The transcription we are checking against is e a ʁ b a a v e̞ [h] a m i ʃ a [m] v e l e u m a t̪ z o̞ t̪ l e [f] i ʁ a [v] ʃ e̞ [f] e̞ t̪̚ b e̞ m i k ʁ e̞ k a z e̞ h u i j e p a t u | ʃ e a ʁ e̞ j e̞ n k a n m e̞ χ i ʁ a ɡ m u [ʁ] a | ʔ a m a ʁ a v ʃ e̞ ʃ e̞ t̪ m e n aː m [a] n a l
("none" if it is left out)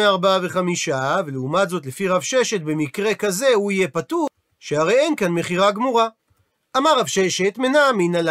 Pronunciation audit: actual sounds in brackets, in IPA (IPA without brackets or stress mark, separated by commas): χ, none, f, v, ʃ, ʁ, i